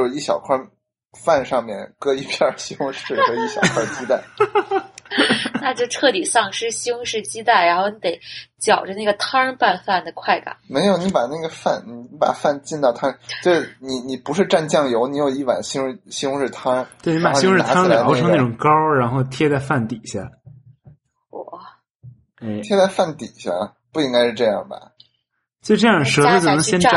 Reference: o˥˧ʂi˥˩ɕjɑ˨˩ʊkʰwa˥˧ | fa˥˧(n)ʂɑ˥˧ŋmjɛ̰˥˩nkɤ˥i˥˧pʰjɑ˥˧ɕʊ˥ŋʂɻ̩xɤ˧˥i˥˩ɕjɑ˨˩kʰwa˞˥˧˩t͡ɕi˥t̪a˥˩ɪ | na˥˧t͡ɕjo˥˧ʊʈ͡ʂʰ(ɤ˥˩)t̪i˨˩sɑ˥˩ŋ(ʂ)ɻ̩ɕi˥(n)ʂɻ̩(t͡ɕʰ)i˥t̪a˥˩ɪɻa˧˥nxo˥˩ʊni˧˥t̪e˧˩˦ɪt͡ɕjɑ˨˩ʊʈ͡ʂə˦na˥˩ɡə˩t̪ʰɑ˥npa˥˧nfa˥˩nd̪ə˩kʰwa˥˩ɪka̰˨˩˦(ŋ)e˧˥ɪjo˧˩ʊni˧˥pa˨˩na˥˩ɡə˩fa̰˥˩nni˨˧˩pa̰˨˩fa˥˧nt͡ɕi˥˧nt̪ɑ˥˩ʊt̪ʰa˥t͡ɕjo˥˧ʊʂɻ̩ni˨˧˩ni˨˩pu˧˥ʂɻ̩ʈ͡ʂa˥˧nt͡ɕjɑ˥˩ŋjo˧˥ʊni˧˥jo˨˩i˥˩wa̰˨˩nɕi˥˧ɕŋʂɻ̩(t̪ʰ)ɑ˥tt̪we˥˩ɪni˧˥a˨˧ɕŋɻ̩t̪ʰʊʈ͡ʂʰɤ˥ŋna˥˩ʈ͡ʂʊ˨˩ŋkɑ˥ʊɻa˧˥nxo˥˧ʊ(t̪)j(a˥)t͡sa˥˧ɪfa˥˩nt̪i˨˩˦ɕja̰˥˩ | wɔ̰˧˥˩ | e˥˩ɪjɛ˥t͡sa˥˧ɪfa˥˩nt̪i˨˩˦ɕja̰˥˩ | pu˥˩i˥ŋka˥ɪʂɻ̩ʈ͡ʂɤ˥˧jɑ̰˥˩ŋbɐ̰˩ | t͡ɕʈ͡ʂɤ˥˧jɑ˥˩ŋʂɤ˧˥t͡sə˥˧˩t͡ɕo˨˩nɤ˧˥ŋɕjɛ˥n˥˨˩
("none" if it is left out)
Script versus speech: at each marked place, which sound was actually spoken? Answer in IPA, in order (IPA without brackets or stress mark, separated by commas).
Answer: n, ɤ˥˩, ʂ, ŋ, t͡ɕ, m, t̪ʰ, t̪ʰ, ɛ˥